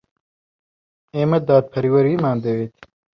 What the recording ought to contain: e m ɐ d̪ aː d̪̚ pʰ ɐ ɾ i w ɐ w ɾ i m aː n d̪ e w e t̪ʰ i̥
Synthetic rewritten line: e m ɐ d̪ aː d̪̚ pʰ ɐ ɾ i w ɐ ɾ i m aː n d̪ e w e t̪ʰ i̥